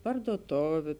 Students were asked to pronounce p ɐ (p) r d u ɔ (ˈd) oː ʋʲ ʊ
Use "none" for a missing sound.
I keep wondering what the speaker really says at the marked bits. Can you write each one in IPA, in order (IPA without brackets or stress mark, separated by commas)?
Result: none, t